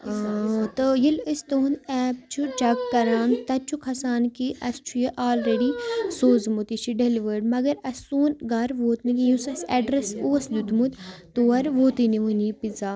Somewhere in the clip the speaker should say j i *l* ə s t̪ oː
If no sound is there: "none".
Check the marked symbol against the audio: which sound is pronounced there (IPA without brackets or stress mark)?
l